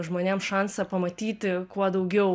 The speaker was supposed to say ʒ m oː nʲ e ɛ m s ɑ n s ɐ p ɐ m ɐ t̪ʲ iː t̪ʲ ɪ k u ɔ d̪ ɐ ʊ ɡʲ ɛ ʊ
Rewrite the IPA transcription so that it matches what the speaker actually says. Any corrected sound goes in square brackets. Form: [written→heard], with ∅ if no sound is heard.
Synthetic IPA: ʒ m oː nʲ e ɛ m [s→ʃ] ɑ n s ɐ p ɐ m ɐ t̪ʲ iː t̪ʲ ɪ k u ɔ d̪ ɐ ʊ ɡʲ ɛ ʊ